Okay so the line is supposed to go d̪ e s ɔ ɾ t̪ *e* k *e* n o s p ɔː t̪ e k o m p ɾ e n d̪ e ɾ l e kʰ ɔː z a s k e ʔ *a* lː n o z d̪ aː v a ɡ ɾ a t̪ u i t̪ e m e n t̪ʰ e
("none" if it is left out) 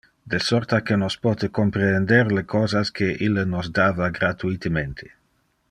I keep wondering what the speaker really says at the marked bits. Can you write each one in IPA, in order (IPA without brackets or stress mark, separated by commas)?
a, e, i